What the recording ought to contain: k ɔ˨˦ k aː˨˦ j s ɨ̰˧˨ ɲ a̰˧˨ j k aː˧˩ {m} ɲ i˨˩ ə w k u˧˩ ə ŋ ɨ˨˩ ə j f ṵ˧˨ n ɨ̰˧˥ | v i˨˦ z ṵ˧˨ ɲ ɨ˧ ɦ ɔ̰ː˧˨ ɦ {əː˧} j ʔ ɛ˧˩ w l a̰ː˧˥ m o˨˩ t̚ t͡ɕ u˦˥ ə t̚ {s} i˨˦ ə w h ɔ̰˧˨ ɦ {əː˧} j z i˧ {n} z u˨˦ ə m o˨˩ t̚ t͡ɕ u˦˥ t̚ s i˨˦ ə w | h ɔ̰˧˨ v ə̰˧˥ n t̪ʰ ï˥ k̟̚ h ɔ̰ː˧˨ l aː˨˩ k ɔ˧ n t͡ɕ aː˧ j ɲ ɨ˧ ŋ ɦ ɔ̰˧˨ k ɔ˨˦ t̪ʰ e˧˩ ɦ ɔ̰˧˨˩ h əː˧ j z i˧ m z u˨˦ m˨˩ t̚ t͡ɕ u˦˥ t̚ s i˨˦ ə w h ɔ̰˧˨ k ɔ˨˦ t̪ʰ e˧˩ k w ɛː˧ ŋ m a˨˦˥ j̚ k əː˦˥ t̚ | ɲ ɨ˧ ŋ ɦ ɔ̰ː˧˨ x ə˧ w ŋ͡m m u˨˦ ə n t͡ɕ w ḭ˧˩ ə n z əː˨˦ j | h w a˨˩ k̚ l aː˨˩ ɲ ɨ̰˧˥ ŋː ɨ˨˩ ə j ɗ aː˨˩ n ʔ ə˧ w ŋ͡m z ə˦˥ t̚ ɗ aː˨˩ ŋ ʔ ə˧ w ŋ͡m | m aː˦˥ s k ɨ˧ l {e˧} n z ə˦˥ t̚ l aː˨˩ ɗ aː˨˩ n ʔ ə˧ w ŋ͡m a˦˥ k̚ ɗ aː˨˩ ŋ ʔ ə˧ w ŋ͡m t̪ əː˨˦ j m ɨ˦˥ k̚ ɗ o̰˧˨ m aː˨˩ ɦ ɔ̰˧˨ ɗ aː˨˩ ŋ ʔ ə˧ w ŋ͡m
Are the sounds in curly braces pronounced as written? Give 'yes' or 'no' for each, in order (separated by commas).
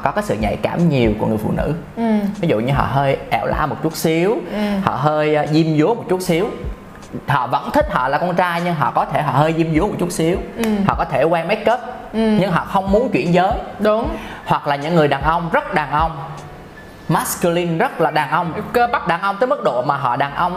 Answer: yes, yes, yes, yes, no, no